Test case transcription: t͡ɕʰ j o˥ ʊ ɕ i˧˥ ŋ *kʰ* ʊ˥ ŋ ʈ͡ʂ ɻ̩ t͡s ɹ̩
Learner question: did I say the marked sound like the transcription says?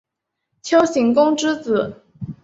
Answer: no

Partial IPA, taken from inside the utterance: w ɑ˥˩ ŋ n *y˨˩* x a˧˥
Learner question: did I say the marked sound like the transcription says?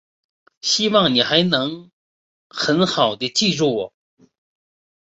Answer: no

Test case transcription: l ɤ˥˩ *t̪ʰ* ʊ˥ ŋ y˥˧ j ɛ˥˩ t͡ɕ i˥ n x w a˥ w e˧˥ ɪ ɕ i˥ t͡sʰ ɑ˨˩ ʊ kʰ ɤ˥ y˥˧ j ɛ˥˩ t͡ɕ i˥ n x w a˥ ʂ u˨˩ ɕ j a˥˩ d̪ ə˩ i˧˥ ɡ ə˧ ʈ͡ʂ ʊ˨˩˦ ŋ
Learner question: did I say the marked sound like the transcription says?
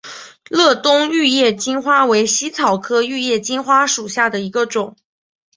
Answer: no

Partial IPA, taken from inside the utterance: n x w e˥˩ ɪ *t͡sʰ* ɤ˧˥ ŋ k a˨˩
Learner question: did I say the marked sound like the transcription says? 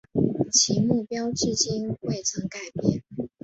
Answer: yes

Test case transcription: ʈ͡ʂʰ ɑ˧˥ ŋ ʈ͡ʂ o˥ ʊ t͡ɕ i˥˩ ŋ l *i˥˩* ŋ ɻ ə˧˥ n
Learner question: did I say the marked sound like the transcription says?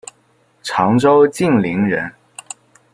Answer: no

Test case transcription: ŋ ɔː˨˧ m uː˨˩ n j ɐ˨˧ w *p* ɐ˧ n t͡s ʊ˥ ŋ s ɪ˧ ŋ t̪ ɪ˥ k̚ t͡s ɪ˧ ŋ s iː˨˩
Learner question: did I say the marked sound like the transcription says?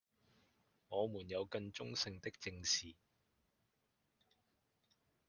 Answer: no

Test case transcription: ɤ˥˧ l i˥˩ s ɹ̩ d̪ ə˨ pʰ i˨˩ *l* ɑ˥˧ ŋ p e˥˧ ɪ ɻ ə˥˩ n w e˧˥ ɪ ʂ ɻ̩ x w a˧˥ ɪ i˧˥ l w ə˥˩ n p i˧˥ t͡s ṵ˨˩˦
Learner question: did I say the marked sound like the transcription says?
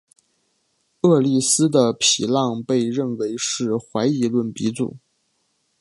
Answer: yes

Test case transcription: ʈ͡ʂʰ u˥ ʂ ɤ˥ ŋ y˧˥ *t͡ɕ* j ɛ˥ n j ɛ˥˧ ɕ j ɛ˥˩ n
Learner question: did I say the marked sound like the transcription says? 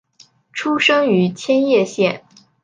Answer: no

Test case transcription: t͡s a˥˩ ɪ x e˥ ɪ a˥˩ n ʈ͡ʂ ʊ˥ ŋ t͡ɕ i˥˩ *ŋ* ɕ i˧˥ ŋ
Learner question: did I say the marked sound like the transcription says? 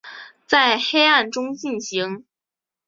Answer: no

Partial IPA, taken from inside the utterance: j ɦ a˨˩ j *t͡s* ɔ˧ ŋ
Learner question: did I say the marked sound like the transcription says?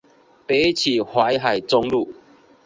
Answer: yes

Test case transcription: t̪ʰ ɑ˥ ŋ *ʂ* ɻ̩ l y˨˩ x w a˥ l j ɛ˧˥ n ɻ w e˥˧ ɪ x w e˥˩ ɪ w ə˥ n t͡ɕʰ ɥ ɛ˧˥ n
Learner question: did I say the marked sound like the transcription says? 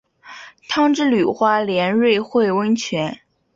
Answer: no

